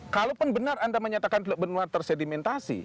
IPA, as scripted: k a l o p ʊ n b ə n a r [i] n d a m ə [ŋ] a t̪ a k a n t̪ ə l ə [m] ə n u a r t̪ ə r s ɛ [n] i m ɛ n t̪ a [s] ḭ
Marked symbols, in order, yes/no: no, no, no, no, yes

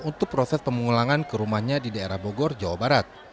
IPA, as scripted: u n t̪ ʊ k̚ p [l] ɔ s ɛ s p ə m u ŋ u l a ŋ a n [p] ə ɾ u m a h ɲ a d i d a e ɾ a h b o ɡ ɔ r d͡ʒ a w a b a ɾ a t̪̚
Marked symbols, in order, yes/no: no, no

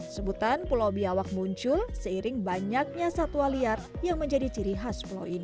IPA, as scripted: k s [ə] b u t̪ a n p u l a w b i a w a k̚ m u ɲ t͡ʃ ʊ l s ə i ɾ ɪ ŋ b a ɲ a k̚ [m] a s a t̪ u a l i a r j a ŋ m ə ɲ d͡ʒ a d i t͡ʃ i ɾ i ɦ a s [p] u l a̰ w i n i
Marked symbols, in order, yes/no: yes, no, yes

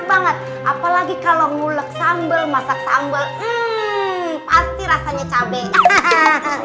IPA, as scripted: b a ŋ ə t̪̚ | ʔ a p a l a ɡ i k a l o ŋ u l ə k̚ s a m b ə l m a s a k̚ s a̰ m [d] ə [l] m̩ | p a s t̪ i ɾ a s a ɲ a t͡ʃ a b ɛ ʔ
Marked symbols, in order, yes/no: no, yes

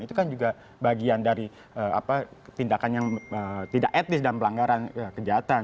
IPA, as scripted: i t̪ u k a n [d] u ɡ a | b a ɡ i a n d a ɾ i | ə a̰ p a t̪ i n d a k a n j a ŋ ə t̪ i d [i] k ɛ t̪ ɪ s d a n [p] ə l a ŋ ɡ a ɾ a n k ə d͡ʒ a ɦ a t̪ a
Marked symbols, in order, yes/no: no, no, yes

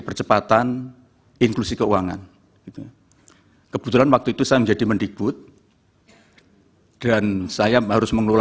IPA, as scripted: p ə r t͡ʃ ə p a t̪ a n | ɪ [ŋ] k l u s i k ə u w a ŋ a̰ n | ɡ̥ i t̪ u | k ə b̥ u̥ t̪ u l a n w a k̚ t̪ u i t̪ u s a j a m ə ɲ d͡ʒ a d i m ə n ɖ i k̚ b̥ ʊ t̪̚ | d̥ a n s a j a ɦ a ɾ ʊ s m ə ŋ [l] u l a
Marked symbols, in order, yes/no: yes, yes

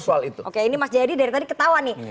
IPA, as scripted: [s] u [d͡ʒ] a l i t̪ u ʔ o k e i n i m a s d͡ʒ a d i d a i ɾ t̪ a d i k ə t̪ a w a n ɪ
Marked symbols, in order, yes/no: yes, no

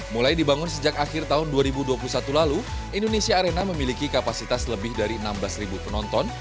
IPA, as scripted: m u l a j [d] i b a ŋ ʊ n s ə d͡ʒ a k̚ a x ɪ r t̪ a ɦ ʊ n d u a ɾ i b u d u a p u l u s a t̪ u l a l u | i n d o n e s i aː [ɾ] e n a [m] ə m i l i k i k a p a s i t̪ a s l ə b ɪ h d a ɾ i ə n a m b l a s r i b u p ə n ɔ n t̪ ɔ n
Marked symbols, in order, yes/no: yes, yes, yes

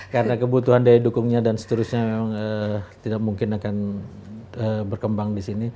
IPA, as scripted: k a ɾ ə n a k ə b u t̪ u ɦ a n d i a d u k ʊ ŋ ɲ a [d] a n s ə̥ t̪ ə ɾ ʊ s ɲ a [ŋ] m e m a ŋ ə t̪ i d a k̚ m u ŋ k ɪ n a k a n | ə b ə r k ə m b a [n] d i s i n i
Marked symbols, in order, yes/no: yes, no, no

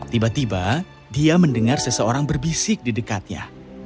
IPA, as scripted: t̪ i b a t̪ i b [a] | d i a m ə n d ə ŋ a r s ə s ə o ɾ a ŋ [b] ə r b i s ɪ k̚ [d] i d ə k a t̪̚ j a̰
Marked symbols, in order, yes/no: yes, yes, yes

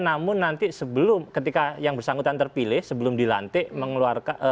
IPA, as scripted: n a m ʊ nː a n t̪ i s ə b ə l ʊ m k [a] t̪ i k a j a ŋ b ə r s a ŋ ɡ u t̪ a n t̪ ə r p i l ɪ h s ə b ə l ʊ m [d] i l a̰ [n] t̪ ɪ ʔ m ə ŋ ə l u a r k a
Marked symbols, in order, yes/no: no, yes, yes

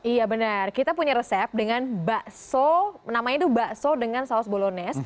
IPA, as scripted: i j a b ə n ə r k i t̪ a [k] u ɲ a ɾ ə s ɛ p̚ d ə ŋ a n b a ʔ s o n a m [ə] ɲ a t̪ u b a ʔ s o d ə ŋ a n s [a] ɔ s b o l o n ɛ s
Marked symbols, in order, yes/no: no, no, yes

